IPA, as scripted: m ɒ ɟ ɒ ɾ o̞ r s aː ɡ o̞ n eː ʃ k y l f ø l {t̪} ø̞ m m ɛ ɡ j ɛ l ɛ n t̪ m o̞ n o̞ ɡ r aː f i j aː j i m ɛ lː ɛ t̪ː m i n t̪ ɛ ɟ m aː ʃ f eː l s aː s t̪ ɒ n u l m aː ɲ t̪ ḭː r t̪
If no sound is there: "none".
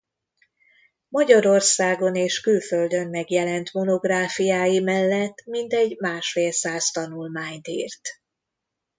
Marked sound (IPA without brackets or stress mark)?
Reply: d̪